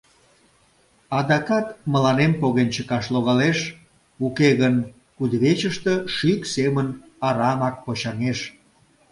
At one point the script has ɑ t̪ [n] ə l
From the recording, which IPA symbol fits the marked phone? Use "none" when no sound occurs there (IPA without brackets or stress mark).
m